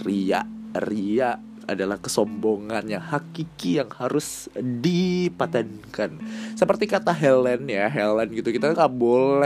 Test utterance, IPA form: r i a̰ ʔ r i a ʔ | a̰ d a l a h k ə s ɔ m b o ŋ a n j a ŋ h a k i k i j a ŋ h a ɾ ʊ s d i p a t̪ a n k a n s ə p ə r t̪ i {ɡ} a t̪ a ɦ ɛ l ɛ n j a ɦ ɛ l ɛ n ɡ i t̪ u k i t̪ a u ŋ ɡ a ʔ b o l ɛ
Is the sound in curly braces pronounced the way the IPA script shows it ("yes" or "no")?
no